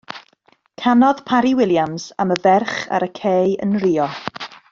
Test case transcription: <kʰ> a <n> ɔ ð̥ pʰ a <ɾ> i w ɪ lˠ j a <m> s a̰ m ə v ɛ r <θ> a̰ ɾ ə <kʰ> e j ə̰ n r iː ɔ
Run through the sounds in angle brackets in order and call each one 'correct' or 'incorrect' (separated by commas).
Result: correct, correct, correct, correct, incorrect, correct